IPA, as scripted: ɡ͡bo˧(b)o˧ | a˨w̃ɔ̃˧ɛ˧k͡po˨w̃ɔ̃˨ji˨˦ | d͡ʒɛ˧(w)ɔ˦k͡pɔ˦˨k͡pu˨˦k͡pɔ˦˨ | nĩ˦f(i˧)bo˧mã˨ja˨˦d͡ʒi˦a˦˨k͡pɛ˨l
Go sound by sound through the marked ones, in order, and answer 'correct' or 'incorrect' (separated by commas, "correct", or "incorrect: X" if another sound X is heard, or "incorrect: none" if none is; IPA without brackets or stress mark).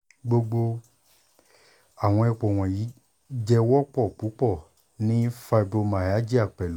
incorrect: ɡ͡b, correct, incorrect: a˧